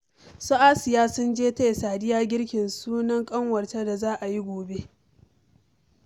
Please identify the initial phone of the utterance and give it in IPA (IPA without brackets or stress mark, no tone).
s